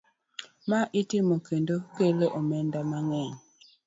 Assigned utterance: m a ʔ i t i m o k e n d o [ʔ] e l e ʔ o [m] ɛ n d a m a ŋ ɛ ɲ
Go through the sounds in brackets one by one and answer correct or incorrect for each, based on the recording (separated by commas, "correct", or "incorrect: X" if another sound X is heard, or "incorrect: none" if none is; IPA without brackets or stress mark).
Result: incorrect: k, correct